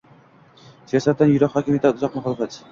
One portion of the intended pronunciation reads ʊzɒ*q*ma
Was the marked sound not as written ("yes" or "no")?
no